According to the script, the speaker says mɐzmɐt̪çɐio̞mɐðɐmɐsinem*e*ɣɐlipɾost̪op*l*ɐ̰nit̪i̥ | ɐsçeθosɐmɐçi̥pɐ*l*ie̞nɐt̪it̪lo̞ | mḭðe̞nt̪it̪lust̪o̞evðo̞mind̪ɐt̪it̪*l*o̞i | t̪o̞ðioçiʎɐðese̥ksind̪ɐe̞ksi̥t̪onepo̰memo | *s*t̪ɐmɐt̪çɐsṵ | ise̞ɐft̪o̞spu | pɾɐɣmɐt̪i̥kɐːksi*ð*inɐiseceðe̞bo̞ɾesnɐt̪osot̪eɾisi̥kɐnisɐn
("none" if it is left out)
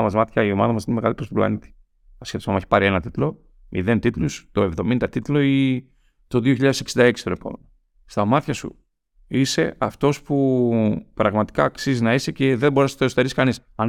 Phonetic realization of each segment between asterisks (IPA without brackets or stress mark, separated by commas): e, l, ɾ, l, s, z